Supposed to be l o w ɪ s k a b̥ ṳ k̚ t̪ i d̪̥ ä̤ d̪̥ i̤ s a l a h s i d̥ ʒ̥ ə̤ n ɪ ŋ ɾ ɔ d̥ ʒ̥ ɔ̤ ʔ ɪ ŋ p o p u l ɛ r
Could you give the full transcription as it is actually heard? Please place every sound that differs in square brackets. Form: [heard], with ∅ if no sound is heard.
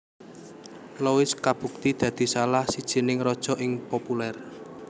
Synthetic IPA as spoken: l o w ɪ s k a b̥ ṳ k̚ t̪ i d̪̥ ä̤ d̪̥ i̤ s a l a h s i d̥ ʒ̥ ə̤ n ɪ ŋ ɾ ɔ d̥ ʒ̥ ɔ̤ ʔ ɪ ŋ p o p u l ɛ r